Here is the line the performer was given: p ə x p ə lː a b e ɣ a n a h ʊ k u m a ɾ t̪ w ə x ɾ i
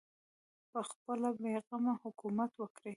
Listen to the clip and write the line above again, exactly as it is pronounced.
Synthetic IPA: p ə x p ə l a b e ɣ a m a h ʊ k u m a t̪ w ə k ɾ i